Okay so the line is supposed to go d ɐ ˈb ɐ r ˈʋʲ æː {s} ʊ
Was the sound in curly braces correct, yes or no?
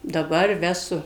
yes